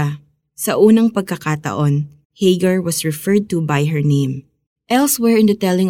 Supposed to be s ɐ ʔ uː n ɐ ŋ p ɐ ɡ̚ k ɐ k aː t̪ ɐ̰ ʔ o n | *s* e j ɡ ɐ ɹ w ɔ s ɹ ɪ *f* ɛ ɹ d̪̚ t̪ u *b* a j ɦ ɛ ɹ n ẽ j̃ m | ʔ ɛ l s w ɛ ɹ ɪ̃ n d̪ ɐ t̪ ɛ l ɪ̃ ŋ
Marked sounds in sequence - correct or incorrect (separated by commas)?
incorrect, correct, correct